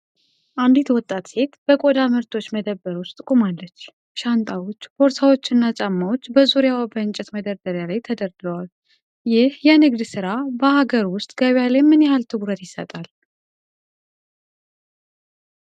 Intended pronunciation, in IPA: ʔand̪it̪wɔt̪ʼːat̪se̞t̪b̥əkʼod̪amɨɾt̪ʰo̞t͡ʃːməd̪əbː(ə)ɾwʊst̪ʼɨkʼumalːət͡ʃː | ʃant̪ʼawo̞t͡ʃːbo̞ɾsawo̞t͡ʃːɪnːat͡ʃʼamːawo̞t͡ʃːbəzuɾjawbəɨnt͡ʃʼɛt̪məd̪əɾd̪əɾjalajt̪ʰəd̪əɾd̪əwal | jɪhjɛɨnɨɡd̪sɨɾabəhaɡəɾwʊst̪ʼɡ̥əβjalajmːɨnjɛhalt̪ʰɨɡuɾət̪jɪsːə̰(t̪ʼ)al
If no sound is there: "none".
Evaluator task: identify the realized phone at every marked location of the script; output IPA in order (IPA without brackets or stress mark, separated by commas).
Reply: ə, t̪ʼ